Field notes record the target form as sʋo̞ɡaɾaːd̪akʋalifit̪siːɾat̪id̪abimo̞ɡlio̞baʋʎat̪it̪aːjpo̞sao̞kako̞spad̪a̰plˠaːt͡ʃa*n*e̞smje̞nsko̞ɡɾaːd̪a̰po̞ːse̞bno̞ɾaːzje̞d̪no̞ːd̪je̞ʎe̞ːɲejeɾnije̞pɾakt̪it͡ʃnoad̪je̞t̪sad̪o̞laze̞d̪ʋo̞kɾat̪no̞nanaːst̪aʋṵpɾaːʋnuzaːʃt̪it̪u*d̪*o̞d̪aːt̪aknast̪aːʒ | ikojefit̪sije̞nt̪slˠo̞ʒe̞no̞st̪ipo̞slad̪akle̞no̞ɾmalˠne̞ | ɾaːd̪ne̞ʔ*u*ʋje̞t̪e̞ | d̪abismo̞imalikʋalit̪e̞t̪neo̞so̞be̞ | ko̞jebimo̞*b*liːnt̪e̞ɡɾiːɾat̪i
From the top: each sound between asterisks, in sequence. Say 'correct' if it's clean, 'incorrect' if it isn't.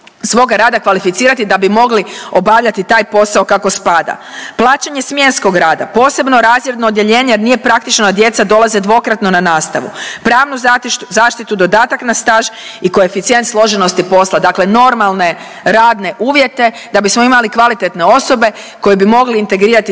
incorrect, correct, incorrect, incorrect

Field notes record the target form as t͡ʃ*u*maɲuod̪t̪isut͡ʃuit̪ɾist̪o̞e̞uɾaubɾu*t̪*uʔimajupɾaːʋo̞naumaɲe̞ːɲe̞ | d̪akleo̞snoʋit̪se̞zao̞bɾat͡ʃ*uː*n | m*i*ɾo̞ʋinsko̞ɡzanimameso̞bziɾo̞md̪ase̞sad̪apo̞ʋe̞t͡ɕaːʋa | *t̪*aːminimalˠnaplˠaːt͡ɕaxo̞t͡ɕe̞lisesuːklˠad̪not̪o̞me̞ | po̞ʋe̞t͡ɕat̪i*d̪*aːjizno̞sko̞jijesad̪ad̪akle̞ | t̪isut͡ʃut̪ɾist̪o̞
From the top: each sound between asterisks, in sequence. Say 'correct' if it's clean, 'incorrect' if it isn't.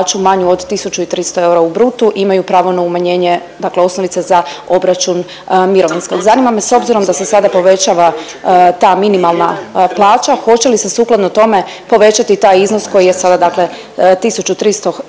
correct, correct, incorrect, correct, correct, incorrect

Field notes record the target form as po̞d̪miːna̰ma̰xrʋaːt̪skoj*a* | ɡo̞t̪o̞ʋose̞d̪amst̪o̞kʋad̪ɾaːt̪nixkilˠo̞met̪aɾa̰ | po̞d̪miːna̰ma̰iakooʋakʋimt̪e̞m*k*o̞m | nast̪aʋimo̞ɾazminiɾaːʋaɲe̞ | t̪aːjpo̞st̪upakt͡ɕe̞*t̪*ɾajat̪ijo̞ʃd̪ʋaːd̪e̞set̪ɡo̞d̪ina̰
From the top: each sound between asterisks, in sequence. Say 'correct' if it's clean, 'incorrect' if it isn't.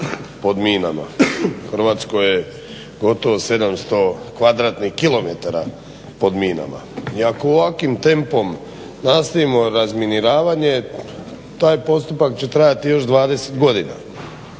incorrect, incorrect, correct

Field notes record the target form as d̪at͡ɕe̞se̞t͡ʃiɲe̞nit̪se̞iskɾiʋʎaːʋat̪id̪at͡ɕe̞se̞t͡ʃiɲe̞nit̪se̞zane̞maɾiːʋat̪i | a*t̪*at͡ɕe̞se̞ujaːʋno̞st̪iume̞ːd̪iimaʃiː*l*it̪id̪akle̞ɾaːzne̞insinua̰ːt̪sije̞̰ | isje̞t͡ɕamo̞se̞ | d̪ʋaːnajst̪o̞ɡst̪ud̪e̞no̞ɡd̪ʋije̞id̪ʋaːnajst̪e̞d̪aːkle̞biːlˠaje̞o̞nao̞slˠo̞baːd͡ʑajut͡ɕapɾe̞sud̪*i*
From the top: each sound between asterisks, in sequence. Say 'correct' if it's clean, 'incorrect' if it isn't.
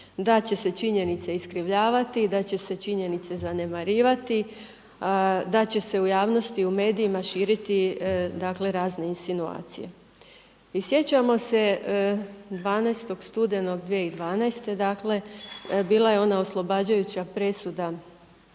incorrect, incorrect, incorrect

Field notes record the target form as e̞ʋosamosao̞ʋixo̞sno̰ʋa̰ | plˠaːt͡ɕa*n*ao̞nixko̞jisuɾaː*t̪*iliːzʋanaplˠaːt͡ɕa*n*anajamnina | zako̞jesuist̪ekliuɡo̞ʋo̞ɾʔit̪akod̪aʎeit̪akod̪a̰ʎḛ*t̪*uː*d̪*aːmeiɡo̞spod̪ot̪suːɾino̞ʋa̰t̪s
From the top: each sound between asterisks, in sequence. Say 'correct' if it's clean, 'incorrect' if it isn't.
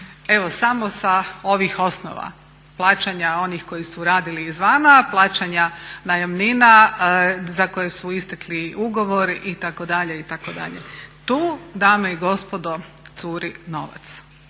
incorrect, incorrect, incorrect, correct, correct

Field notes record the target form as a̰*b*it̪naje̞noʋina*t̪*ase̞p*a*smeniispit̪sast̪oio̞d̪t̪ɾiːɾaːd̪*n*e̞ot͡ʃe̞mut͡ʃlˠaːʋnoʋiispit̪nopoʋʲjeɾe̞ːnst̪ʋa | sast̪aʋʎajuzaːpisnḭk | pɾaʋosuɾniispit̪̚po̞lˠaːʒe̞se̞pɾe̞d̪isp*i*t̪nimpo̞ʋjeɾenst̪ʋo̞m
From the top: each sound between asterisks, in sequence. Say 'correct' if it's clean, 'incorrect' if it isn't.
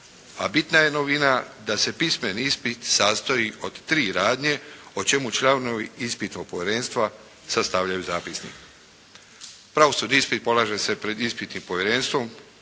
correct, incorrect, incorrect, incorrect, correct

